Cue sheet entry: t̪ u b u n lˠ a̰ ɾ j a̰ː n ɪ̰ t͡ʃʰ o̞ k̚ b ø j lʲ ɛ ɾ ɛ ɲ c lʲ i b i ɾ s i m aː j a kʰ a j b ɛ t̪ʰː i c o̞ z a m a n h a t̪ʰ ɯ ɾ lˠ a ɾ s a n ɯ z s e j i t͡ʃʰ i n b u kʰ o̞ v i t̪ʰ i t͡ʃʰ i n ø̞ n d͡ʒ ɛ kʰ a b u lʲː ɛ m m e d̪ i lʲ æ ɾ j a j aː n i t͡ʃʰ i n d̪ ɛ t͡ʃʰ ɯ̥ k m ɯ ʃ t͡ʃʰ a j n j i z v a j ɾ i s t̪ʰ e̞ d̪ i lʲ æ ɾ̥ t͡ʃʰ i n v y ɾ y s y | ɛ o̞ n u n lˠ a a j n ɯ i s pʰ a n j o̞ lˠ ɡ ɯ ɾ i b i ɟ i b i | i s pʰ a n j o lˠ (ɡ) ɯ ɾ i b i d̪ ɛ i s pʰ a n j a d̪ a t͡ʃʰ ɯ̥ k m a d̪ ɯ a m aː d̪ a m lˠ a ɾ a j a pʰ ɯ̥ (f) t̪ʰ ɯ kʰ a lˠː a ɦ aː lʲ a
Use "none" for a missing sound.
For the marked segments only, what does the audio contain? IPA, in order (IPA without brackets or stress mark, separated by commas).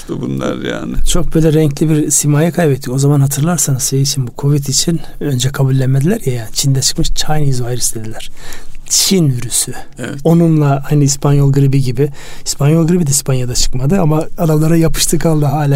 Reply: ɡ, ʃ